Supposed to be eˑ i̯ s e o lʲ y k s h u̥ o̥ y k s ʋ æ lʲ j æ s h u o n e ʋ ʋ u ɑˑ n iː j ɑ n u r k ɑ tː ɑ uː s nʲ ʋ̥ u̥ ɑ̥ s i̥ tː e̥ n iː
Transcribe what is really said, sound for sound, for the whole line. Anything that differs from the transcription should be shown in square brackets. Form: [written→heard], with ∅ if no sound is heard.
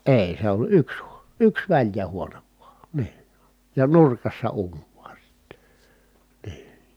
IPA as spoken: eˑ i̯ s e o lʲ y k s h u̥ o̥ y k s ʋ æ lʲ j æ [s→∅] h u o n e ʋ ʋ u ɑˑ n iː j ɑ n u r k ɑ [tː→sː] ɑ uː [s→∅] nʲ ʋ̥ u̥ ɑ̥ s i̥ tː e̥ n iː